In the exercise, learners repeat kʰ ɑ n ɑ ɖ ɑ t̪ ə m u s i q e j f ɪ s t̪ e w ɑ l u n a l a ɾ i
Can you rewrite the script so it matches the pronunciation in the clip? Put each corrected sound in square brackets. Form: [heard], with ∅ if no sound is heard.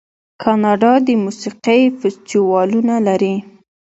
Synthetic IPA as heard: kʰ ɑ n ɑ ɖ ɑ [d̪] ə m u s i q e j f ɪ s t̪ [i] w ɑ l u n a l a ɾ i

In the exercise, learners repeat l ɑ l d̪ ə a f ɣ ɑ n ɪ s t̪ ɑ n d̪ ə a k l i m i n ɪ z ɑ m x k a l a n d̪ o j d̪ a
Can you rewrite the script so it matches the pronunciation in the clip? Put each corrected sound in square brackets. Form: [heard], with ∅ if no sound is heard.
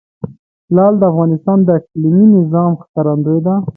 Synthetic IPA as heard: l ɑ l d̪ ə a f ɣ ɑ n ɪ s t̪ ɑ n d̪ ə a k l i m i n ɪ z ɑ m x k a [ɾ] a n d̪ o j d̪ a

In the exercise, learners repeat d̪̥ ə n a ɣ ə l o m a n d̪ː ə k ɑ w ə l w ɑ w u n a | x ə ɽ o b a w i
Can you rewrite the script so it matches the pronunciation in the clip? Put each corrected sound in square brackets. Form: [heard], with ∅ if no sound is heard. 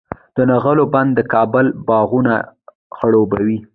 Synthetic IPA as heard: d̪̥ ə n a ɣ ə l o [b] a n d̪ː ə k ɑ [b] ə l [b] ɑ [ɣ] u n a | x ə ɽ o b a w i

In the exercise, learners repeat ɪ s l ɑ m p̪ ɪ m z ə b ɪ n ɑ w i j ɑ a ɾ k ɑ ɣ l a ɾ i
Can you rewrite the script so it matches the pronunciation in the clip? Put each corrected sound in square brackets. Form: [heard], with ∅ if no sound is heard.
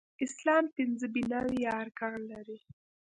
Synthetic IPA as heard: ɪ s l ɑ m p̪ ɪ [n] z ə b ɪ n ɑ w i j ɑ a ɾ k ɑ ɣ l a ɾ i

